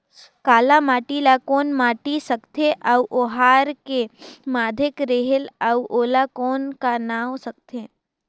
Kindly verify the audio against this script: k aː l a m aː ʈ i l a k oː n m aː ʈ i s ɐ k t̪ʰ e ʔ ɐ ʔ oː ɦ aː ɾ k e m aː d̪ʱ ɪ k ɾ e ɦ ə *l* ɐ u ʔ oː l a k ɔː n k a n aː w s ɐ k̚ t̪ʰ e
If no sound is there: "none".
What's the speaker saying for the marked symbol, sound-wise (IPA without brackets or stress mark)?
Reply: l